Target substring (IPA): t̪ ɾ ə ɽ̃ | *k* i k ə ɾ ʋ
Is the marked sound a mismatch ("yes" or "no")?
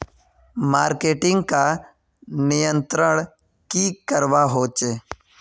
no